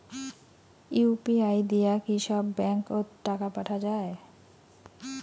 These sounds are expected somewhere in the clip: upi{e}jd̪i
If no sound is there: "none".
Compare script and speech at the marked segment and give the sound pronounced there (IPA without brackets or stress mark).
a